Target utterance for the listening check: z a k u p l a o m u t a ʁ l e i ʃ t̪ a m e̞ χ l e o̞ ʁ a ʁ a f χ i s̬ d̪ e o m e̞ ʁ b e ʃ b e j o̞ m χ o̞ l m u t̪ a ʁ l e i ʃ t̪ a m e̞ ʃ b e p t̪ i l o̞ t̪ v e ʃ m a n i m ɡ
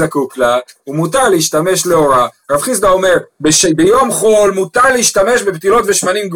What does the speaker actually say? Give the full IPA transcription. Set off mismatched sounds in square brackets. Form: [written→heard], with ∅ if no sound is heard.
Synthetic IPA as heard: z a k u [p→k] l a [o→u] m u t a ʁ l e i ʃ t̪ a m e̞ [χ→ʃ] l e o̞ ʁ a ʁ a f χ i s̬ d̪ [e→a] o m e̞ ʁ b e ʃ b e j o̞ m χ o̞ l m u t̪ a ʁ l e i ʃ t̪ a m e̞ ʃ b e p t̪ i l o̞ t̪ v e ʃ m a n i m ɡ